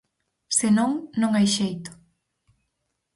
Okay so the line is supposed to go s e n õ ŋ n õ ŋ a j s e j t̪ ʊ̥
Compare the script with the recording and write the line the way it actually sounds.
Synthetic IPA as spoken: s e n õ ŋ n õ ŋ a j ʃ e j t̪ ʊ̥